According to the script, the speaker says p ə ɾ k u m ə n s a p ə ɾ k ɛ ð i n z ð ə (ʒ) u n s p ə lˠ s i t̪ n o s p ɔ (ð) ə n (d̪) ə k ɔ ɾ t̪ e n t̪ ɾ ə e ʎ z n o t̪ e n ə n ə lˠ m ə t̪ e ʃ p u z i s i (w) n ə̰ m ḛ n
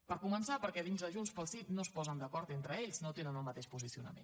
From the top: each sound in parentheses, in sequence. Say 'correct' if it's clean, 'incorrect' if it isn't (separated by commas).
correct, incorrect, correct, incorrect